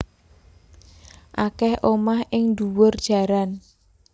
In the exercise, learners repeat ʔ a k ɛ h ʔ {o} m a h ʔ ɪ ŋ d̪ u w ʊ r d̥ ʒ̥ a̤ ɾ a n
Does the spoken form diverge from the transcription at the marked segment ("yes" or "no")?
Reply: no